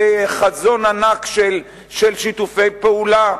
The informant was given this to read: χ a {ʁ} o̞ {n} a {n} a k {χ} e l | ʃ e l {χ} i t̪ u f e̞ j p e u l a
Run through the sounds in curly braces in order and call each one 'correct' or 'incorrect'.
incorrect: z, correct, correct, incorrect: ʃ, incorrect: ʃ

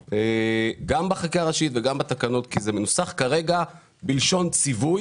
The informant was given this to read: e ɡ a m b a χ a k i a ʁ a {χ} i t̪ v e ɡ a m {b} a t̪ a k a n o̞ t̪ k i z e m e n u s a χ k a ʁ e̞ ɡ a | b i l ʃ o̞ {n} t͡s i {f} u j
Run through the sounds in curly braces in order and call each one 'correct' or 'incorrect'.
incorrect: ʃ, correct, correct, incorrect: v

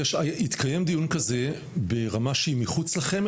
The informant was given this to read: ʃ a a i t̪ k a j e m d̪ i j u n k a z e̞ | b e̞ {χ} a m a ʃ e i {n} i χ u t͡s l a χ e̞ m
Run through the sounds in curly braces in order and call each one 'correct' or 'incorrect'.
incorrect: ʁ, incorrect: m

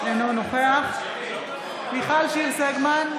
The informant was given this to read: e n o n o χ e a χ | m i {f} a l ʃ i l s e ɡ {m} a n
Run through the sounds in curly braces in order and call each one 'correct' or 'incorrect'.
incorrect: χ, correct

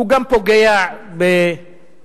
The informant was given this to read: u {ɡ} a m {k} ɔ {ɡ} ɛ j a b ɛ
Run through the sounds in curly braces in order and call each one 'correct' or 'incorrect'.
correct, incorrect: p, correct

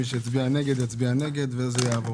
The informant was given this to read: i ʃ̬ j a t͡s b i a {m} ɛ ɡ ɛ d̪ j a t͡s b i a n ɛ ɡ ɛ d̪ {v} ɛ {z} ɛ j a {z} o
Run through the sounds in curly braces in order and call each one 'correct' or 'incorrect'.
incorrect: n, correct, correct, incorrect: v

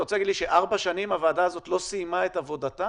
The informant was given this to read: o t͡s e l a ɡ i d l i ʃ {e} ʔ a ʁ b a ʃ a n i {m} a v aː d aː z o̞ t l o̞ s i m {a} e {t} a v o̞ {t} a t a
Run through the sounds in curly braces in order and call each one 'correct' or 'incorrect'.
correct, correct, correct, correct, incorrect: d

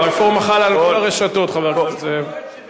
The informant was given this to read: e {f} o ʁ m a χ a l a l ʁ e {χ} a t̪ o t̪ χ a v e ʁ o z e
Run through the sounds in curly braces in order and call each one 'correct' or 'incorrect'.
correct, incorrect: ʃ

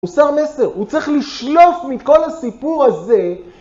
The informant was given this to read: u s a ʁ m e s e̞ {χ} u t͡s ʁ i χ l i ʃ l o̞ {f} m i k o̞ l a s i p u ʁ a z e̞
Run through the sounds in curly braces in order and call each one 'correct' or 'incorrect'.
incorrect: ʁ, correct

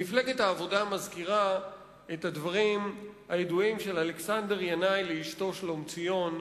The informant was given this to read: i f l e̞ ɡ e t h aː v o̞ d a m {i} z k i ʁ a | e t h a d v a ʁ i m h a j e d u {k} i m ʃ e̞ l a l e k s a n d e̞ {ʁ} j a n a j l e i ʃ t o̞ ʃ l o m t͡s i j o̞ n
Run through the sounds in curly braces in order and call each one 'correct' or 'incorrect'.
incorrect: a, incorrect: none, correct

